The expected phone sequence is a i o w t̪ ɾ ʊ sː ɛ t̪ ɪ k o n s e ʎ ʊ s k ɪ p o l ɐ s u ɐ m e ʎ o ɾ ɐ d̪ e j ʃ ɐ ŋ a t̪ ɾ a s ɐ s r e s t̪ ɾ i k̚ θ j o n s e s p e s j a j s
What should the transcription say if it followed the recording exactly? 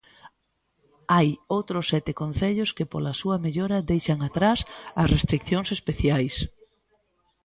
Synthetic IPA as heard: a j o w t̪ ɾ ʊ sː ɛ t̪ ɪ k o n θ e ʎ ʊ s k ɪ p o l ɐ s u ɐ m e ʎ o ɾ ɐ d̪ e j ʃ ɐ ŋ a t̪ ɾ a s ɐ s r e s t̪ ɾ i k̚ θ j o ŋ s e s p e θ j a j s